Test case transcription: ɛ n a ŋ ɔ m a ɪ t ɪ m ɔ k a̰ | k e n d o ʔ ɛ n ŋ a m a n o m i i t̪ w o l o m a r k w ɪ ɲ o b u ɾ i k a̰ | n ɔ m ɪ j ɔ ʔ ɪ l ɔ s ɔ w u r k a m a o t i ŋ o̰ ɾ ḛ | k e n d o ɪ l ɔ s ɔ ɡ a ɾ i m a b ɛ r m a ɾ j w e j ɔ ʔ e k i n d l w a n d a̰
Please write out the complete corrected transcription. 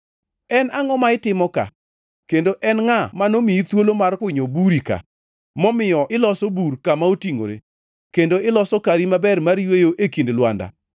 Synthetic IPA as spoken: ɛ n a ŋ ɔ m a ɪ t ɪ m ɔ k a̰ | k e n d o ʔ ɛ n ŋ a m a n o m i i t̪ w o l o m a r k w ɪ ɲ o b u ɾ i k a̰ | m ɔ m ɪ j ɔ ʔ ɪ l ɔ s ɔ b u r k a m a o t i ŋ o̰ ɾ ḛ | k e n d o ɪ l ɔ s ɔ k a ɾ i m a b ɛ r m a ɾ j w e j o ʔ e k i n d l w a n d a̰